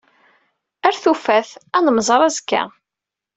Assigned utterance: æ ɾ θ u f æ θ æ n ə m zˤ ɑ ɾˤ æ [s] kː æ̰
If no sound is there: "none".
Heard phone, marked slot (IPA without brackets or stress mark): z